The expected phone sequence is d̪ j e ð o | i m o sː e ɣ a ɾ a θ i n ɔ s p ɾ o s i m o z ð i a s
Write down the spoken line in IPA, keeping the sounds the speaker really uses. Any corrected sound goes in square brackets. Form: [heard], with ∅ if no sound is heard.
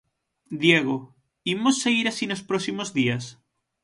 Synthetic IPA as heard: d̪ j e [ɣ] o | i m o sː e ɣ [i] ɾ a [s] i n [o] s p ɾ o s i m o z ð i a s